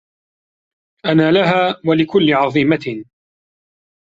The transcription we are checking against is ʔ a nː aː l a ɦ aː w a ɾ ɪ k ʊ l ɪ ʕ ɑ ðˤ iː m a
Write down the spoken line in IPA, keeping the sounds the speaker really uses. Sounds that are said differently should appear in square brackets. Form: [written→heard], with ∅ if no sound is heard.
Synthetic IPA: ʔ a [nː→n] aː l a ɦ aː w a [ɾ→l] ɪ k ʊ [l→lː] ɪ ʕ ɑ ðˤ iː m a